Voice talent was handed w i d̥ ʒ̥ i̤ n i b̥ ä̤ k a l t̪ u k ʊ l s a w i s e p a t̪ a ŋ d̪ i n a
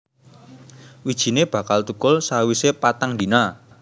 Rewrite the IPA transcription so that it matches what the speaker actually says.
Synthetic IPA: w i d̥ ʒ̥ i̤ n e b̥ ä̤ k a l t̪ u k ʊ l s a w i s e p a t̪ a ŋ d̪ i n a